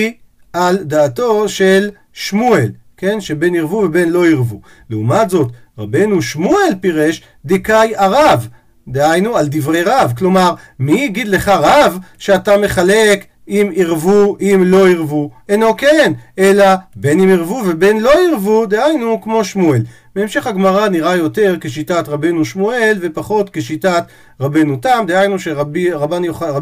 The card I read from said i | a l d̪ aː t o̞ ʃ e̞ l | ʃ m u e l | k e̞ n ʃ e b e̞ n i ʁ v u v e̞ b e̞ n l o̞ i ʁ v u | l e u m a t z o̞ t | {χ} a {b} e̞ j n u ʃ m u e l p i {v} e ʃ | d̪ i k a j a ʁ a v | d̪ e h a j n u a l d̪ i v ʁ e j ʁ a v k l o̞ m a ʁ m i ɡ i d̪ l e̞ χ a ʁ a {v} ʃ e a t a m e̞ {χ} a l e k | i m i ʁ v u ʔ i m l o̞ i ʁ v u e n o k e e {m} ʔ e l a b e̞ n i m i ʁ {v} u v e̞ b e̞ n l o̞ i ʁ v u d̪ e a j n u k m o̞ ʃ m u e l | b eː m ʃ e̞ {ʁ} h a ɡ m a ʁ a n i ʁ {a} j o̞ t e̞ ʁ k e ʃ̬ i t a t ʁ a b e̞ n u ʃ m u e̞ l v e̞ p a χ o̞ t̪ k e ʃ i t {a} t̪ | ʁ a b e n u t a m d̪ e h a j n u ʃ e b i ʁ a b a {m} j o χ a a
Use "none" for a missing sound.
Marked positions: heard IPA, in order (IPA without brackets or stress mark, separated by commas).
ʁ, b, ʁ, v, χ, n, v, χ, a, a, n